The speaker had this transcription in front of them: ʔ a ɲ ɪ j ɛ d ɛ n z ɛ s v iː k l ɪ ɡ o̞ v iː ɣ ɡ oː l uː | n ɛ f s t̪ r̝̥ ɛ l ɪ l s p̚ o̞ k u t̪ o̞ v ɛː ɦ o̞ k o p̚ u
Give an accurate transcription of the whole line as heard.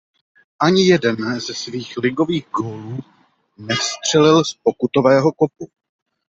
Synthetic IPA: ʔ a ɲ ɪ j ɛ d ɛ n z ɛ s v iː x l ɪ ɡ o̞ v iː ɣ ɡ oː l uː | n ɛ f s t̪ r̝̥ ɛ l ɪ l s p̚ o̞ k u t̪ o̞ v ɛː ɦ o̞ k o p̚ u